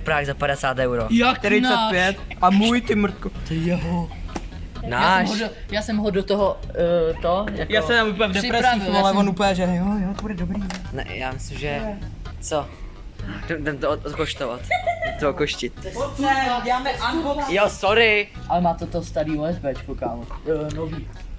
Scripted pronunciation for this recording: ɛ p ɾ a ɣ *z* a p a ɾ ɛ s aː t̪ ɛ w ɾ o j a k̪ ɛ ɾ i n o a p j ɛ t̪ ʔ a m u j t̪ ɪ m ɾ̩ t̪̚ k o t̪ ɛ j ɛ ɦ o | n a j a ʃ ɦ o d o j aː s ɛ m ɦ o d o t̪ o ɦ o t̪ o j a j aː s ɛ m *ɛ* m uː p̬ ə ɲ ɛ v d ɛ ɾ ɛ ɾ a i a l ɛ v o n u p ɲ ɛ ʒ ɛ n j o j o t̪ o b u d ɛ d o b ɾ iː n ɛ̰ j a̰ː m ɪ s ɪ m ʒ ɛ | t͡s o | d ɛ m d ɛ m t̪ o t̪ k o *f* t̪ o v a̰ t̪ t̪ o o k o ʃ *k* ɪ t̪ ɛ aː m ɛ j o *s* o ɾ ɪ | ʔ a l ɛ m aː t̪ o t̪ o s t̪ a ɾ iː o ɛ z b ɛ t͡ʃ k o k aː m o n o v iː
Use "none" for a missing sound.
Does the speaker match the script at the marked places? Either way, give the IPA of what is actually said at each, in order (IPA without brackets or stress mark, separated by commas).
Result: z, a, ʃ, c, s